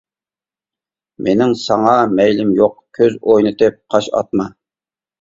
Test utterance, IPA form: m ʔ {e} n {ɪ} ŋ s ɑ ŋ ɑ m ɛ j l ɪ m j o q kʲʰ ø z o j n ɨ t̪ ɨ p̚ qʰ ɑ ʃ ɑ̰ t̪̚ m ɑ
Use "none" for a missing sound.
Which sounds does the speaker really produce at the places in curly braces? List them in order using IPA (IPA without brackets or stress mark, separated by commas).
e, ɪ